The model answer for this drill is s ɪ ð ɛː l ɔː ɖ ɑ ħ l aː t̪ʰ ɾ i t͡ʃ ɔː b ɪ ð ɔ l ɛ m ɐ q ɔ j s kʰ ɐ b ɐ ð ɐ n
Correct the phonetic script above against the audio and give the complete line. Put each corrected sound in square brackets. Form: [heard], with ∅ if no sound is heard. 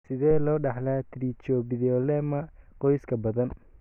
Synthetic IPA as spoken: s ɪ ð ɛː l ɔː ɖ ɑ ħ l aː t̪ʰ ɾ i t͡ʃ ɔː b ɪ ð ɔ l ɛ m ɐ q ɔ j s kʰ ɐ b ɐ ð ɐ n